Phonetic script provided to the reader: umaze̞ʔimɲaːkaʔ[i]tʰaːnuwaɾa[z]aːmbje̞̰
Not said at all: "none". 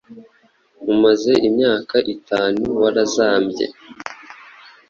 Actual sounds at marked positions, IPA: i, z

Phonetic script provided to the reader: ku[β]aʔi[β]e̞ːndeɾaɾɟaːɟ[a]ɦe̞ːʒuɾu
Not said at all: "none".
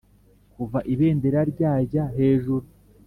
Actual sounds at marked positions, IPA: v, β, a

